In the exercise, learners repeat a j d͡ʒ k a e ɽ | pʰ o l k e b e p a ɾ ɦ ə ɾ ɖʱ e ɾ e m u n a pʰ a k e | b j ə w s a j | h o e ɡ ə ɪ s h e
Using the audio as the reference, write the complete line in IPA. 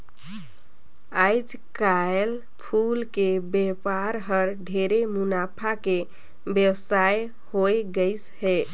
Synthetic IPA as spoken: a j d͡ʒ k a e l | pʰ u l k e b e p a ɾ ɦ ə ɾ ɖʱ e ɾ e m u n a pʰ a k e | b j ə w s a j | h o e ɡ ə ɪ s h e